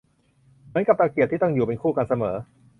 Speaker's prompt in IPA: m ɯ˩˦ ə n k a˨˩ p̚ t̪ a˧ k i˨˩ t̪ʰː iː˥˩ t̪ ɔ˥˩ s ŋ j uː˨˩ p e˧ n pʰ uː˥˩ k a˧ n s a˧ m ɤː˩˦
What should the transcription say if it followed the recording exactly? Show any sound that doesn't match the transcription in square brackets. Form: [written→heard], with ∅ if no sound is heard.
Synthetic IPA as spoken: m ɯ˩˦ ə n k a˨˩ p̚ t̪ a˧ k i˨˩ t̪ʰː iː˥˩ t̪ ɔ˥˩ [s→∅] ŋ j uː˨˩ p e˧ n [pʰ→kʰ] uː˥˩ k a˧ n s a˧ m ɤː˩˦